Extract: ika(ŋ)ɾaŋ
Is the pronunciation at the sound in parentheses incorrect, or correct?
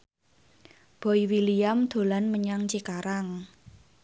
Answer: incorrect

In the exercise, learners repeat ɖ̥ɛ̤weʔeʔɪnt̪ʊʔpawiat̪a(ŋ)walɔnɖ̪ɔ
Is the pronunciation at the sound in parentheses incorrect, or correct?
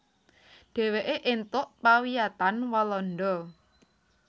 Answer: incorrect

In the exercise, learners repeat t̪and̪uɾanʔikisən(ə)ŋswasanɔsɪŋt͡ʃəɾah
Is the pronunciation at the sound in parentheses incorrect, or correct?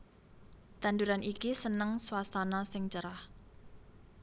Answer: correct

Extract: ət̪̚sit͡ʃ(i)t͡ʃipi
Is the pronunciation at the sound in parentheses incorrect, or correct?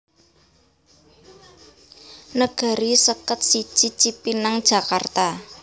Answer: correct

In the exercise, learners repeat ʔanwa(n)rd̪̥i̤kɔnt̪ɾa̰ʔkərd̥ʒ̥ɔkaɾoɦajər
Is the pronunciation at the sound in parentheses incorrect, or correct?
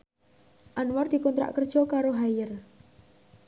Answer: incorrect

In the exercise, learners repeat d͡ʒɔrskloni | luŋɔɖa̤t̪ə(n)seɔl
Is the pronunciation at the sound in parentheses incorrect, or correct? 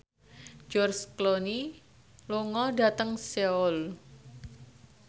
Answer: incorrect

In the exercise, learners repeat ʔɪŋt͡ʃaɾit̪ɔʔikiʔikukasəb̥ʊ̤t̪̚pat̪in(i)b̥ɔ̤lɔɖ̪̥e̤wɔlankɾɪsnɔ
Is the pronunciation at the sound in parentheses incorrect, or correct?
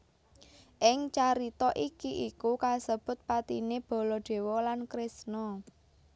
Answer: incorrect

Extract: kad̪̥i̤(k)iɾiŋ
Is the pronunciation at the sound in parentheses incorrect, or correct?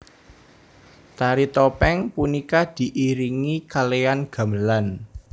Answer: incorrect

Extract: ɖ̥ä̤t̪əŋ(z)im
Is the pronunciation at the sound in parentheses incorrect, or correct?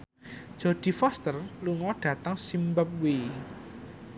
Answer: incorrect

